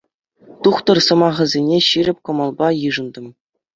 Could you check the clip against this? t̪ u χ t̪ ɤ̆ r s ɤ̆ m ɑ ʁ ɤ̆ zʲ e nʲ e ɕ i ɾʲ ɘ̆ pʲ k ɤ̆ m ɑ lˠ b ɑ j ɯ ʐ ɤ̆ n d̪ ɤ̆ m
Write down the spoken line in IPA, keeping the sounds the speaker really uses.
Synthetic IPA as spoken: t̪ u χ t̪ ɤ̆ r s ɤ̆ m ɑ ʁ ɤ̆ zʲ e nʲ e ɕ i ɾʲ ɘ̆ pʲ k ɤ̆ m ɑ lˠ b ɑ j ɯ ʐ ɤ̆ n d̪ ɤ̆ m